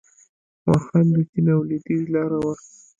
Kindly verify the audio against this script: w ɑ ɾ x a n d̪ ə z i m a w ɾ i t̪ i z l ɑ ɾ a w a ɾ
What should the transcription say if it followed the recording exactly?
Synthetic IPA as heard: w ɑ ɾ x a n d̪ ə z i n a w l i d̪ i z l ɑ ɾ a w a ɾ